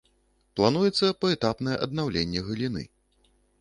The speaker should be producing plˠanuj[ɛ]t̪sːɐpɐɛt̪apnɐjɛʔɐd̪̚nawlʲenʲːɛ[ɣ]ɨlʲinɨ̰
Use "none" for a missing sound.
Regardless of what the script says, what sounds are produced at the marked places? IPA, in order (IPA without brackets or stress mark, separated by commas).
ɛ, ɣ